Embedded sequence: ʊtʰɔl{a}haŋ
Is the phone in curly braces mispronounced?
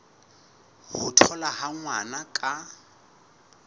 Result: no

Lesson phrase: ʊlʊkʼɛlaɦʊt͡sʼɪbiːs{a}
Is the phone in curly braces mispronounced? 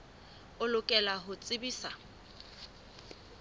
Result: no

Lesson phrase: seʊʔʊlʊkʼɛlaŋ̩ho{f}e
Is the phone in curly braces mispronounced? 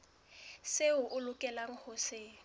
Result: yes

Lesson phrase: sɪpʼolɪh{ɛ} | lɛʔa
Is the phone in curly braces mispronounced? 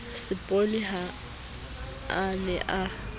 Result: yes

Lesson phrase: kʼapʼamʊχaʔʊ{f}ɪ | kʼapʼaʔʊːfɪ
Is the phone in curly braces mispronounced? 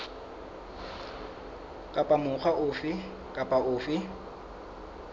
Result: no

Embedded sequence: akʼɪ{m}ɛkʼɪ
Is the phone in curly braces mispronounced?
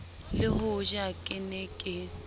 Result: yes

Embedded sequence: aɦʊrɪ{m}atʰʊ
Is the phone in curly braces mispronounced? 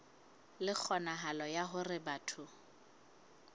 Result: yes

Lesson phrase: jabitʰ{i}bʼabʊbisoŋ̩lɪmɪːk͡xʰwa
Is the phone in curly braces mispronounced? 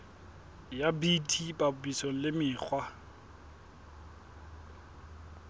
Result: no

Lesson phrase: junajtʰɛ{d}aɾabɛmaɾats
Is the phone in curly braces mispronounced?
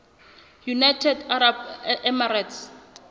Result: no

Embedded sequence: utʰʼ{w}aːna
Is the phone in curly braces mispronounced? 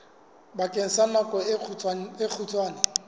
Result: no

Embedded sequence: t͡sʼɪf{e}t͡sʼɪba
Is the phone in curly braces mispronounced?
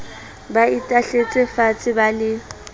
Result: yes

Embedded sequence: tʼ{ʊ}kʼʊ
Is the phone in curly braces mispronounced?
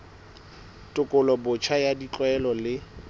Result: no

